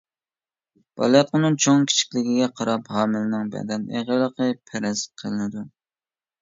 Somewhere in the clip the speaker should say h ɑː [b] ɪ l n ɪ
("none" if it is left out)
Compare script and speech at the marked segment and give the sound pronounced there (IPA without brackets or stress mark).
m